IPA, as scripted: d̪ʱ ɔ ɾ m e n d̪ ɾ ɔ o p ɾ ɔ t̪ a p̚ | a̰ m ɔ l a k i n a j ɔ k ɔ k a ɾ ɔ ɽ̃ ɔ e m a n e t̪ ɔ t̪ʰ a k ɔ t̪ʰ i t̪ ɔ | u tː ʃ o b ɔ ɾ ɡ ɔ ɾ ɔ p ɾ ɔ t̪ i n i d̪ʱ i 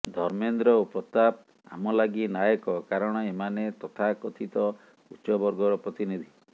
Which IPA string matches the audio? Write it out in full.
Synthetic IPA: d̪ʱ ɔ ɾ m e n d̪ ɾ ɔ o p ɾ ɔ t̪ a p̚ | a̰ m ɔ l a ɡ i n a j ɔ k ɔ k a ɾ ɔ ɽ̃ ɔ e m a n e t̪ ɔ t̪ʰ a k ɔ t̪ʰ i t̪ ɔ | u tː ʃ ɔ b ɔ ɾ ɡ ɔ ɾ ɔ p ɾ ɔ t̪ i n i d̪ʱ i